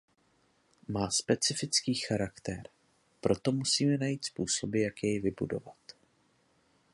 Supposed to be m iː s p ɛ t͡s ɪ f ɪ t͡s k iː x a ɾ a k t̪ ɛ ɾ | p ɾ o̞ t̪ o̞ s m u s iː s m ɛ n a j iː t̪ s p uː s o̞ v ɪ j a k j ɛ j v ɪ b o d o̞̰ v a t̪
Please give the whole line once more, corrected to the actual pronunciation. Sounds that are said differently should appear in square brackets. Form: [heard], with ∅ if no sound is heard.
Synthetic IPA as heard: m [aː] s p ɛ t͡s ɪ f ɪ t͡s k iː x a ɾ a k t̪ ɛ ɾ | p ɾ o̞ t̪ o̞ [∅] m u s iː [∅] m ɛ n a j iː t̪ s p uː s o̞ [b] ɪ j a k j ɛ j v ɪ b [u] d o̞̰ v a t̪